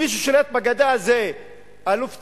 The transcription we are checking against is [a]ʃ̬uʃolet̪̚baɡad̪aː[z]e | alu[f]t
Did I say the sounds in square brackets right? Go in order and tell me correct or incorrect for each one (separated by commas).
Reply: incorrect, correct, correct